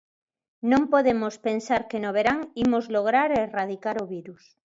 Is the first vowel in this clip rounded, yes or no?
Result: yes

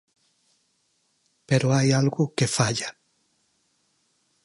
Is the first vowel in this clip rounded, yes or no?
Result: no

